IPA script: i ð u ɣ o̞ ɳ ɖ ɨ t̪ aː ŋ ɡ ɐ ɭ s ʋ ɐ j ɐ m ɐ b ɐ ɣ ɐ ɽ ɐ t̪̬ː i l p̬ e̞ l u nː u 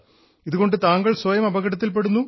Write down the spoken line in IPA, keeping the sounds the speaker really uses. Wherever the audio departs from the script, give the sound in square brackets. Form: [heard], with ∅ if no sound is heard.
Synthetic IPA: i ð u ɣ o̞ ɳ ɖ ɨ t̪ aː ŋ ɡ ɐ ɭ s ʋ ɐ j ɐ m ɐ b ɐ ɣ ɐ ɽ ɐ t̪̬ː i l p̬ e̞ [ɽ] u nː u